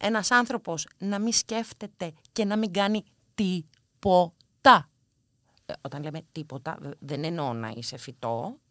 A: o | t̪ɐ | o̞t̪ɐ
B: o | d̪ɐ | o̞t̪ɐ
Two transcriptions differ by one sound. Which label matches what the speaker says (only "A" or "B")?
A